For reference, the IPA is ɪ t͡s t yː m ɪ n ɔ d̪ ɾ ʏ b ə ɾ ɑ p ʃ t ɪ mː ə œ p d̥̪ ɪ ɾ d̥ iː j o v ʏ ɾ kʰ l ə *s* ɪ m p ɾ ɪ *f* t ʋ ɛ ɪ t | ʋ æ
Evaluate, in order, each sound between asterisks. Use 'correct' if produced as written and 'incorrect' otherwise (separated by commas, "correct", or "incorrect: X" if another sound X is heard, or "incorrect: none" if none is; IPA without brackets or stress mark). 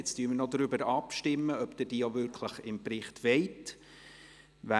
incorrect: χ, incorrect: χ